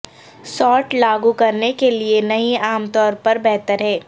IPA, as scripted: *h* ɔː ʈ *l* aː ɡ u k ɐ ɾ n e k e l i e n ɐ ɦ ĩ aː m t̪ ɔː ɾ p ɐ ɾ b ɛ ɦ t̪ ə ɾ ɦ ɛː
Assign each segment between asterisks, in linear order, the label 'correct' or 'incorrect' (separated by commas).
incorrect, correct